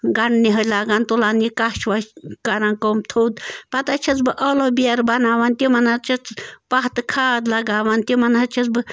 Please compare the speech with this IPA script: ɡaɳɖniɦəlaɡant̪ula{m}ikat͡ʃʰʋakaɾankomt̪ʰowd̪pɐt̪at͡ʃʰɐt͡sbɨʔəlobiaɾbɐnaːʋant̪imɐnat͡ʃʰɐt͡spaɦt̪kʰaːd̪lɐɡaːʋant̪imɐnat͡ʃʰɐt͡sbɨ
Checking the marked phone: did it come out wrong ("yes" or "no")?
yes